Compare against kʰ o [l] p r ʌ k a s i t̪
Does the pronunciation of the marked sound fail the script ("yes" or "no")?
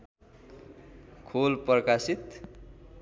no